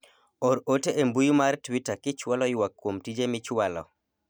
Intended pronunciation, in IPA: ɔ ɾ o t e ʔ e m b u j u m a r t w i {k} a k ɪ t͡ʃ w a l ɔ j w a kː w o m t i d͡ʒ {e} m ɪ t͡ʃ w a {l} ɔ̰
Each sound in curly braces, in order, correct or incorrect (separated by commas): incorrect, correct, correct